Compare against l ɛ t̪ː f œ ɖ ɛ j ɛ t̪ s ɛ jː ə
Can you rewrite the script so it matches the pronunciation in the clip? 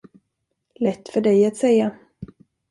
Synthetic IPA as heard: l ɛ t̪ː f œ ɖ ɛ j a t̪ s ɛ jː a

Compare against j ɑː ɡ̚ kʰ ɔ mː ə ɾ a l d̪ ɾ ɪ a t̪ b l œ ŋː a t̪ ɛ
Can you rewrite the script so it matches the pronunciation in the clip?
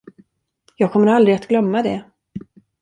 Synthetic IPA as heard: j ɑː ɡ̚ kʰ ɔ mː ə ɾ a l d̪ ɾ ɪ a t̪ ɡ l œ mː a d̪ ɛ

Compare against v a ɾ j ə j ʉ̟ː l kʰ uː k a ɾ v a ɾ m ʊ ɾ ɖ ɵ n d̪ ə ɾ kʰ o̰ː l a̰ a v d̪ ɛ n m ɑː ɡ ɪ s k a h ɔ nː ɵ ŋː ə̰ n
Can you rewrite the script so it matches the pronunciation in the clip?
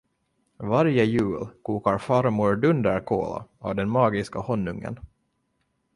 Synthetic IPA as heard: v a ɾ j ə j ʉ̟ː l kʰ uː k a ɾ f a ɾ m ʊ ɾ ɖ ɵ n d̪ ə ɾ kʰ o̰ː l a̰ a v d̪ ɛ n m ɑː ɡ ɪ s k a h ɔ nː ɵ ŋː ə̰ n

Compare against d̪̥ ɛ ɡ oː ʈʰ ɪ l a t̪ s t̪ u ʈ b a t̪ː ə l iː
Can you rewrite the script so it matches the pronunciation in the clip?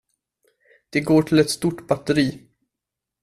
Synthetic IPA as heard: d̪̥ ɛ ɡ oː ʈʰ ɪ l ɛ t̪ s t̪ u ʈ b a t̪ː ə ɾ iː

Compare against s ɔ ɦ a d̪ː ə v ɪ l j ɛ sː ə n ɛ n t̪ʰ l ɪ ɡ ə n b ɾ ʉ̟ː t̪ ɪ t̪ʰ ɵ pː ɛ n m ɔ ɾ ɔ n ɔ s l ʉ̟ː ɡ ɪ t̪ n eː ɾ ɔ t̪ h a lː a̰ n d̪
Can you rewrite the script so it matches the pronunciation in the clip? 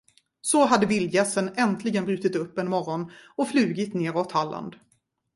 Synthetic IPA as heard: s ɔ ɦ a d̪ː ə v ɪ l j ɛ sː ə n ɛ n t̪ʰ l ɪ ɡ ə n b ɾ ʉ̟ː t̪ ɪ t̪ ɵ pː ɛ n m ɔ ɾ ɔ n ɔ f l ʉ̟ː ɡ ɪ t̪ n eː ɾ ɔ t̪ h a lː a̰ n d̪

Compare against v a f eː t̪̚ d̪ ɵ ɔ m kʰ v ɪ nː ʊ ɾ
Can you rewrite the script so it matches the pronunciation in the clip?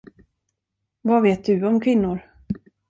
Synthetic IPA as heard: v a v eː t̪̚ d̪ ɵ ɔ m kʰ v ɪ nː ʊ ɾ

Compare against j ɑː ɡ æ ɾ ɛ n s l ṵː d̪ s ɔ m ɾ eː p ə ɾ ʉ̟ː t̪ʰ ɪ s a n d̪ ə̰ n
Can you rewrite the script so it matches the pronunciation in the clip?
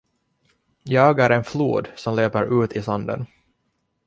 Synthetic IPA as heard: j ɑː ɡ æ ɾ ɛ n f l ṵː d̪ s ɔ m l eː p ə ɾ ʉ̟ː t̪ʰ ɪ s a n d̪ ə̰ n

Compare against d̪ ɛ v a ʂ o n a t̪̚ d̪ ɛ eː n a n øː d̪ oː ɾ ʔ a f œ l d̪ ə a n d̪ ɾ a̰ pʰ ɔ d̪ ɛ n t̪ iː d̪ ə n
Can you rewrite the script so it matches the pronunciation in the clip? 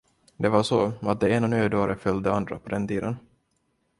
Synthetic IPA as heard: d̪ ɛ v a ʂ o a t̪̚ d̪ ɛ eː n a n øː d̪ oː ɾ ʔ ə f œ l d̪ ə a n d̪ ɾ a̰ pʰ ɔ d̪ ɛ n t̪ iː d̪ ə n

